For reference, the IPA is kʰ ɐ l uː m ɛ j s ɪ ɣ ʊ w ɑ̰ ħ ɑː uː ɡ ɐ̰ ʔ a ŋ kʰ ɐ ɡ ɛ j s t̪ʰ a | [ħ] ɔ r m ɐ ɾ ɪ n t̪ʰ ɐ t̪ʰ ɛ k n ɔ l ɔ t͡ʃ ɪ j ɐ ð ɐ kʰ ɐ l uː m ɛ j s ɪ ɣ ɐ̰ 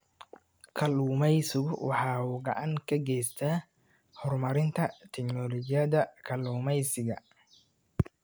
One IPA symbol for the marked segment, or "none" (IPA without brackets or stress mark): h